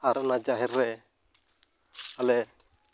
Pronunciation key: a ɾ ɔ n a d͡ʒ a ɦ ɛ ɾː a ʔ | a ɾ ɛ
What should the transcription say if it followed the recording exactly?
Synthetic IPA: a ɾ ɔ n a d͡ʒ a ɦ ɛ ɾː ɛ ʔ | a l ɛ

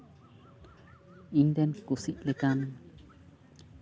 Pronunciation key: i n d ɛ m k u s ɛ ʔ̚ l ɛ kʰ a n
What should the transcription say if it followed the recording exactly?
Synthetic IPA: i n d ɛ n k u s i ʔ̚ l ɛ k a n

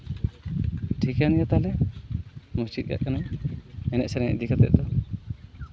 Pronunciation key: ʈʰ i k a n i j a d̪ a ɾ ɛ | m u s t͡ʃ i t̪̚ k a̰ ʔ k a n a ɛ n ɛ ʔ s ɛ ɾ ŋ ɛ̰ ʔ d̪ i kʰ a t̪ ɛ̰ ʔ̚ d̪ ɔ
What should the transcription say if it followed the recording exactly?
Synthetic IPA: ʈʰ i k a n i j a t̪ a l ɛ | m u s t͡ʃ i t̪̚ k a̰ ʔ k a n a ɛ n ɛ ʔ s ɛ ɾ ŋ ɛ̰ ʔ d̪ i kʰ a t̪ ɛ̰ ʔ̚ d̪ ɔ

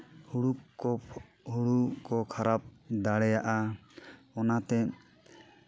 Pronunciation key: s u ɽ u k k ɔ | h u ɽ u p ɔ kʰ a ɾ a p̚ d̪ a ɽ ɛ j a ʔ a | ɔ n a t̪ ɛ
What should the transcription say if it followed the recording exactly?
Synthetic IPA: h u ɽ u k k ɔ | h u ɽ u k ɔ kʰ a ɾ a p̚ d̪ a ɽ ɛ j a ʔ a | ɔ n a t̪ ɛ

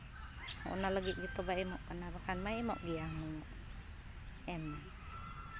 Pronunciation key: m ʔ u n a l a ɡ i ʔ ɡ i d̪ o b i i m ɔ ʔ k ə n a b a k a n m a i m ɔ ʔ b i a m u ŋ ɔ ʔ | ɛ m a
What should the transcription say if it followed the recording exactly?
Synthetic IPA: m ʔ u n a l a ɡ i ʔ ɡ i t̪ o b a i m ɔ ʔ k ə n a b a k a n m a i m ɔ ʔ ɡ i a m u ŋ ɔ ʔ | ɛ m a

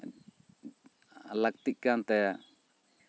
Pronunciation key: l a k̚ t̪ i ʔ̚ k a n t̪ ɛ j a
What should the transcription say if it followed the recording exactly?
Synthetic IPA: l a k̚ t̪ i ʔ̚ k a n t̪ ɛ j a

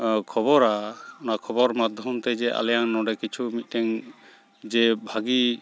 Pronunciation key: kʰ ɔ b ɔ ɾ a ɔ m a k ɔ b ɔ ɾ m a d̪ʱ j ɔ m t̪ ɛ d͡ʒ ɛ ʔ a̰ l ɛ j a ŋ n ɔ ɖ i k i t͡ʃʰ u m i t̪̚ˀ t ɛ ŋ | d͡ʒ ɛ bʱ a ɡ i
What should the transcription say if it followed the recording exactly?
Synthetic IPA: kʰ ɔ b ɔ ɾ a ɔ n a kʰ ɔ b ɔ ɾ m a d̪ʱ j ɔ m t̪ ɛ d͡ʒ ɛ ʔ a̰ l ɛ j a ŋ n ɔ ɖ ɛ k i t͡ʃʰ u m i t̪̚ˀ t ɛ ŋ | d͡ʒ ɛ bʱ a ɡ i

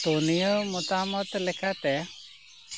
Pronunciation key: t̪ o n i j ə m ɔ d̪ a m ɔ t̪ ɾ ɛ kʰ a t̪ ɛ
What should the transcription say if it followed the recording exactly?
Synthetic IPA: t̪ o n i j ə m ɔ t̪ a m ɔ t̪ l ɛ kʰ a t̪ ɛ

